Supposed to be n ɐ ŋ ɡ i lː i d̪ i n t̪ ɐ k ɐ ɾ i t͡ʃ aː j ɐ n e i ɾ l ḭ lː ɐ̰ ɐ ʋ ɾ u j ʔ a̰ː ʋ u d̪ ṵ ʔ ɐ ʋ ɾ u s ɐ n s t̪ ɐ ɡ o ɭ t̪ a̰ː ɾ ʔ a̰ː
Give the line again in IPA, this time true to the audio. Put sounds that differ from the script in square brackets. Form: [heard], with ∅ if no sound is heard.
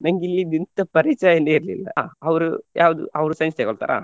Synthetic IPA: n ɐ ŋ ɡ i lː i d̪ i n t̪ ɐ [p] ɐ ɾ i t͡ʃ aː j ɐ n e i ɾ l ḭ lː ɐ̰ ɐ ʋ ɾ u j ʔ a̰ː ʋ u d̪ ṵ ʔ ɐ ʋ ɾ u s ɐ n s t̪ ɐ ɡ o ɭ t̪ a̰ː ɾ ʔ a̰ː

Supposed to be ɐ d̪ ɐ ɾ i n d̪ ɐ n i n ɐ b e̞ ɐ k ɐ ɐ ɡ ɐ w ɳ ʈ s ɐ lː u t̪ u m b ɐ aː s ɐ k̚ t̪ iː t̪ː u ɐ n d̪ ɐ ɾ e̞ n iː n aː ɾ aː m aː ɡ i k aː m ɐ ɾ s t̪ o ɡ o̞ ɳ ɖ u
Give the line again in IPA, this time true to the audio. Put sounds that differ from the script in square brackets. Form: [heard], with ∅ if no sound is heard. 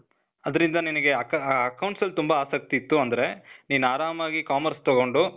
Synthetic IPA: ɐ d̪ ɐ ɾ i n d̪ ɐ n i n ɐ [ɡ] e̞ ɐ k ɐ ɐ [k] ɐ w ɳ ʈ s ɐ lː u t̪ u m b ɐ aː s ɐ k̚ t̪ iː t̪ː u ɐ n d̪ ɐ ɾ e̞ n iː n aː ɾ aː m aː ɡ i k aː m ɐ ɾ s t̪ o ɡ o̞ ɳ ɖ u

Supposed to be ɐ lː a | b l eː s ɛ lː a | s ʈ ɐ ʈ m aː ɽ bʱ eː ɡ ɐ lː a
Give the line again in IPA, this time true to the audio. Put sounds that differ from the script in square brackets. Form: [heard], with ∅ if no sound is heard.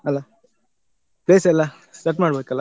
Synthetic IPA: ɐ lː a | [p] l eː s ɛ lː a | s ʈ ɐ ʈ m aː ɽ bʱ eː [k] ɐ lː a

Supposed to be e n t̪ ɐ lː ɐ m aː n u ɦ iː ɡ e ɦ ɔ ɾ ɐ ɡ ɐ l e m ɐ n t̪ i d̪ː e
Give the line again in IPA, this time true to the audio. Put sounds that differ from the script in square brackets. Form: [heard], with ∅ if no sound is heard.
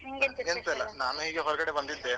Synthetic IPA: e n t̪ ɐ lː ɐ [n] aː n u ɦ iː ɡ e ɦ ɔ ɾ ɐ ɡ ɐ [ɽ] e [b] ɐ n [d̪] i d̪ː e

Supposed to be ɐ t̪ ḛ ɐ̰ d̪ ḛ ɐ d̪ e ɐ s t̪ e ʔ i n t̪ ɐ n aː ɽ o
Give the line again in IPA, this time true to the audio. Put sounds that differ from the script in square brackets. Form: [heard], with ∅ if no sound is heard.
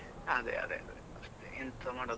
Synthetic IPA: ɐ [d̪] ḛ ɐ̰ d̪ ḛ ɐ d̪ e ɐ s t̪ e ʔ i n t̪ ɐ [m] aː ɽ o

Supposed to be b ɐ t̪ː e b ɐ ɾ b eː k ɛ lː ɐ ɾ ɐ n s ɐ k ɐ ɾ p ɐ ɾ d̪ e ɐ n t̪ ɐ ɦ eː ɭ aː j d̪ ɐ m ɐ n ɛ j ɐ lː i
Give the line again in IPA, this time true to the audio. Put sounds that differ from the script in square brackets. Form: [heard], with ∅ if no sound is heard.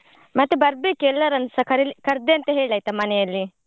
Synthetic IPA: [m] ɐ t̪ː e b ɐ ɾ b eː k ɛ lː ɐ ɾ ɐ n s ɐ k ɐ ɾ [k] ɐ ɾ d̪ e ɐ n t̪ ɐ ɦ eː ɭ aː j [t̪] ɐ m ɐ n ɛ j ɐ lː i

